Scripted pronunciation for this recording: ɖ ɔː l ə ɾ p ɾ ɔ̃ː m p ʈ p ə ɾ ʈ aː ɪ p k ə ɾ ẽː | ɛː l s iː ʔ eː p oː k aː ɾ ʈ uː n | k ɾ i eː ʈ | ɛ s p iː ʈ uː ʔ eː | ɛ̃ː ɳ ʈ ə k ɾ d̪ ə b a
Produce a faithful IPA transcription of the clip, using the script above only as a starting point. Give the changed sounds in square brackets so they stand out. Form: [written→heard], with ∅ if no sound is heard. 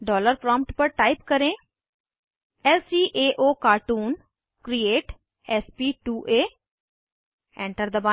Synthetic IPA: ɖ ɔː l ə ɾ p ɾ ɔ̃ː m p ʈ p ə ɾ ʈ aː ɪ p k ə ɾ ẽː | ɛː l s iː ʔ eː [p→ʔ] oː k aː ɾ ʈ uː n | k ɾ i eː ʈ | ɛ s p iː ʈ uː ʔ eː | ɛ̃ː ɳ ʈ ə [k→∅] ɾ d̪ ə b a